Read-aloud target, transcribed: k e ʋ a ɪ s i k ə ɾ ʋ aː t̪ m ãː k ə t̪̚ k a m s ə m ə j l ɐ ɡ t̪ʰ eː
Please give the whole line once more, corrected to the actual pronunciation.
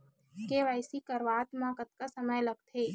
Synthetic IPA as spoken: k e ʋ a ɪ s i k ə ɾ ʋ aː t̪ m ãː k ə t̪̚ k a s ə m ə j l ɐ ɡ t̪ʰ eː